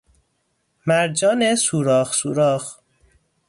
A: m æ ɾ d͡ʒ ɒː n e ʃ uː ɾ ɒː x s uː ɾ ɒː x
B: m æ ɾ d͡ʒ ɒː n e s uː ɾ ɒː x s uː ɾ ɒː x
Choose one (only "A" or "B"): B